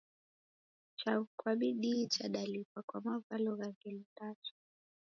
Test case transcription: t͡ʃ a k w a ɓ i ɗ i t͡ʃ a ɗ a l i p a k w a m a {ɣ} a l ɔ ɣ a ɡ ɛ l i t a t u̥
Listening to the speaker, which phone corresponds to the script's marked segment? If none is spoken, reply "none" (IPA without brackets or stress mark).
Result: v